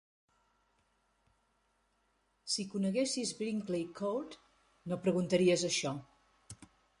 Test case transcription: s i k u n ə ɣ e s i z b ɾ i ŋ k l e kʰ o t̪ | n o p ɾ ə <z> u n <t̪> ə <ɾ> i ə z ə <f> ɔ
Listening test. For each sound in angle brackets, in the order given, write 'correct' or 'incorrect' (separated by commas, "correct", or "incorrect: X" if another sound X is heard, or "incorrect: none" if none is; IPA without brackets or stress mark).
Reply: incorrect: ɣ, correct, correct, incorrect: ʃ